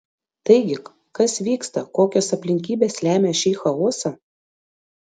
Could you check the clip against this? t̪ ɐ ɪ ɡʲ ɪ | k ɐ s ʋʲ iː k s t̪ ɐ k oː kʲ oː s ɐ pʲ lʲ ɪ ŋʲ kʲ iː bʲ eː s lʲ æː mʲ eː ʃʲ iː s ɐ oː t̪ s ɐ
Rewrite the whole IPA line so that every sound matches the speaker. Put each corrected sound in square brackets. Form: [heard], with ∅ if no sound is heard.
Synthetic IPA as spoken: t̪ ɐ ɪ ɡʲ ɪ | k ɐ s ʋʲ iː k s t̪ ɐ k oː kʲ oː s ɐ pʲ lʲ ɪ ŋʲ kʲ iː bʲ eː s lʲ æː mʲ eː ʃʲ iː [x] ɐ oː [∅] s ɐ